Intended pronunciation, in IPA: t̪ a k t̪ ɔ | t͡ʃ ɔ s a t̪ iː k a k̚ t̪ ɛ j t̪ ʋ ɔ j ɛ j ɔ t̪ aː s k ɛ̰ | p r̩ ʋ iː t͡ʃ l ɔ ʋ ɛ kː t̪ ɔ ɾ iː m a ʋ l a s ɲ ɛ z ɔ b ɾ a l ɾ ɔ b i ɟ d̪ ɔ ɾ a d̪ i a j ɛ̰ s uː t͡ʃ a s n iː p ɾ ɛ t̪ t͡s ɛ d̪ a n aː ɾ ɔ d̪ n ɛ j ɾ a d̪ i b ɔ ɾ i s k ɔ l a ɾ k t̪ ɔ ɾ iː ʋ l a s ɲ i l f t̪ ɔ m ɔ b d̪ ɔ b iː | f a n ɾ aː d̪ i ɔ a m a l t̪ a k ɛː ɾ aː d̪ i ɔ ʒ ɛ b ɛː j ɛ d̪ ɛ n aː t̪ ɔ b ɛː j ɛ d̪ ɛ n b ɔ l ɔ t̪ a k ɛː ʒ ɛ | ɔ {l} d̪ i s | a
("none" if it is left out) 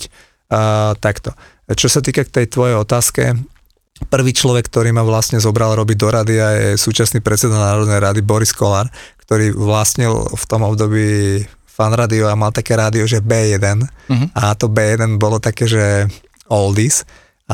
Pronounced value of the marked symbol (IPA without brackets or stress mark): l